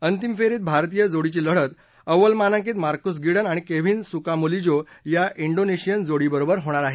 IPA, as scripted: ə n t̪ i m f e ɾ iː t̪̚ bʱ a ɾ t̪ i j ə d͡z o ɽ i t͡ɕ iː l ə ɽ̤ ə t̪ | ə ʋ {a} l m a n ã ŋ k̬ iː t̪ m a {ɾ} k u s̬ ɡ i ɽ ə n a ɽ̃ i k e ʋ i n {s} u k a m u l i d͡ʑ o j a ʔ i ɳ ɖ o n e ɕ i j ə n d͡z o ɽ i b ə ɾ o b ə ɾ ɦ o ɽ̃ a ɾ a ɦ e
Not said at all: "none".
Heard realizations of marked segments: ə, ɾ, s

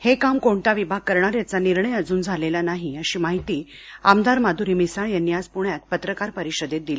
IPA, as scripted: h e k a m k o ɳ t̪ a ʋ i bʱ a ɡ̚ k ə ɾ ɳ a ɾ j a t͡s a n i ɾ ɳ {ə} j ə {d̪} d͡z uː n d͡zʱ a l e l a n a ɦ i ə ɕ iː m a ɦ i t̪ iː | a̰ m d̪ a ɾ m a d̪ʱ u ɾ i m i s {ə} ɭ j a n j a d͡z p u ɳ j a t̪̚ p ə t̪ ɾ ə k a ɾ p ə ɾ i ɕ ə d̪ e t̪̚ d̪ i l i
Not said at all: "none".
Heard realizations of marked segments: ə, none, a

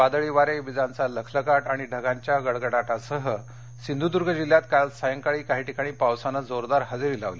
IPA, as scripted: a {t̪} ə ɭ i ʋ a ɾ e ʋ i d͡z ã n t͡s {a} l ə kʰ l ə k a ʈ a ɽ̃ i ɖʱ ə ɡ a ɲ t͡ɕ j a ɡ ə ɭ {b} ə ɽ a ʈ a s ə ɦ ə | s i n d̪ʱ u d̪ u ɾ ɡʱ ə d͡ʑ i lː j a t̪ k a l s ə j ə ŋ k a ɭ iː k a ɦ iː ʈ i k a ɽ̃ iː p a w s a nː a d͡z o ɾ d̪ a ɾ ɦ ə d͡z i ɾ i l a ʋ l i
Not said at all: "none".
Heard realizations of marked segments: d̪, a, ɡ

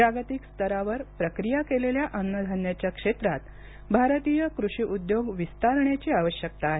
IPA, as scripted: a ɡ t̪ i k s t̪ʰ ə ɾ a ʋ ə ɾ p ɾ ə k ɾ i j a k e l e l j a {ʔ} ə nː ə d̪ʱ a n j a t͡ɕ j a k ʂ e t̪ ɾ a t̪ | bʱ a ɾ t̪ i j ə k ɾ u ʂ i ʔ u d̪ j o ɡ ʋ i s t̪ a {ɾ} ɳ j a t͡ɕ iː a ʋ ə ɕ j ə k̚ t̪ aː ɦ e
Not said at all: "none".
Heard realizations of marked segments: ʔ, ɾ

